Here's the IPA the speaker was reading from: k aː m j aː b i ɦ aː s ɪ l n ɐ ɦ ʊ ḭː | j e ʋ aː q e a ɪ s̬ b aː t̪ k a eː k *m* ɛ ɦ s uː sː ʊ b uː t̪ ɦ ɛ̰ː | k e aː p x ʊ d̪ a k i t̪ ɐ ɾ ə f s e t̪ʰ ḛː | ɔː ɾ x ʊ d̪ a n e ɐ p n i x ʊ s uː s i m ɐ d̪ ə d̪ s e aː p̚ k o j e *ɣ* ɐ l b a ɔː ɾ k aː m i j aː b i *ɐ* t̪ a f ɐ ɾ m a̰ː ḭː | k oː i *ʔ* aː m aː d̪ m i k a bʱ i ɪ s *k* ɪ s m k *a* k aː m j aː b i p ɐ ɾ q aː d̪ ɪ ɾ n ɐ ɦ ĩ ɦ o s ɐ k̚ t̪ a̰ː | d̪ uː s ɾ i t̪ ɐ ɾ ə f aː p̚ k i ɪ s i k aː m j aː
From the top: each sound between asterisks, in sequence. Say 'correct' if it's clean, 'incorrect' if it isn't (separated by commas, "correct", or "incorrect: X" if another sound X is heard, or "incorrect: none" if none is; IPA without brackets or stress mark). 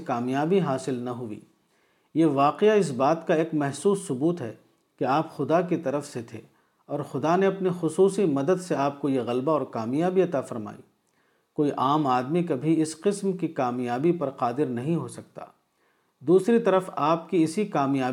correct, correct, correct, correct, incorrect: q, incorrect: i